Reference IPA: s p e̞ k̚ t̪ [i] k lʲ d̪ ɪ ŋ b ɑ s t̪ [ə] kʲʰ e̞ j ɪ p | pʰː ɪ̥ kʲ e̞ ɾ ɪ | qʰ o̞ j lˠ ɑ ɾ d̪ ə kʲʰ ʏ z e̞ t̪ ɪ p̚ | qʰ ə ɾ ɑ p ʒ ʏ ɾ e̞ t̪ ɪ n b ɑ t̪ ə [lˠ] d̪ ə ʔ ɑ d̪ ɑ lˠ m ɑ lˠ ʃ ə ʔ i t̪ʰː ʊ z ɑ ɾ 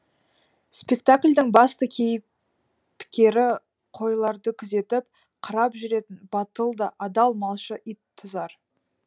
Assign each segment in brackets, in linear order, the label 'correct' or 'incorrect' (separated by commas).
incorrect, correct, correct